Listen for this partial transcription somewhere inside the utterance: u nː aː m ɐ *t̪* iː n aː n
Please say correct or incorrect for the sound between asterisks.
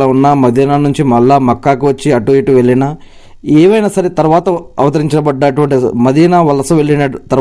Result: incorrect